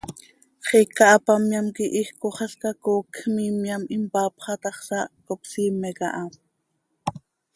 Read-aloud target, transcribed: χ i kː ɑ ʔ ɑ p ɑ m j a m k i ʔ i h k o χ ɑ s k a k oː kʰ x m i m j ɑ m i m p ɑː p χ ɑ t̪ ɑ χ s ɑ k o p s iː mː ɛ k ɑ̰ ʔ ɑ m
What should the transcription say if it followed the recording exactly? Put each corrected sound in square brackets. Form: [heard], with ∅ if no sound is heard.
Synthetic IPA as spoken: χ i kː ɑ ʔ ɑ p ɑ m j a m k i ʔ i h k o χ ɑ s k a k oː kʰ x m i m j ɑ m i m p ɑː p χ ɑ t̪ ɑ χ s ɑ k o p s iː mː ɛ k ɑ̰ ʔ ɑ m